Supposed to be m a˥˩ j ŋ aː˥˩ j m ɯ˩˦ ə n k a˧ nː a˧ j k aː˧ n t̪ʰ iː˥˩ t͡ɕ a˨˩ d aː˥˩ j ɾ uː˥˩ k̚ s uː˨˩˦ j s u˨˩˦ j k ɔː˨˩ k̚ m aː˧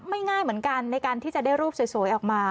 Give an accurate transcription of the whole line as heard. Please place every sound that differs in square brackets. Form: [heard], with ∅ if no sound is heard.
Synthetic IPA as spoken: m a˥˩ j ŋ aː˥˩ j m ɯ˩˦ ə n k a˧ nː a˧ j k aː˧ n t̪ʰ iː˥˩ t͡ɕ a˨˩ d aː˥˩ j ɾ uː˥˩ [p̚] s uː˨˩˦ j s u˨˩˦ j [ʔ] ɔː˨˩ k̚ m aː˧